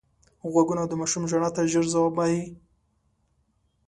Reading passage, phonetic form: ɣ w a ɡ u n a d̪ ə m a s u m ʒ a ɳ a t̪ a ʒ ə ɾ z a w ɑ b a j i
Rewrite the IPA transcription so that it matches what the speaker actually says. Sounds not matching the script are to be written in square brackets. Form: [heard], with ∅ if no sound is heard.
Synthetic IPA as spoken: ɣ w a ɡ u n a d̪ ə m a [ʃ] u m ʒ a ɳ a t̪ a ʒ ə ɾ z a w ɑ b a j i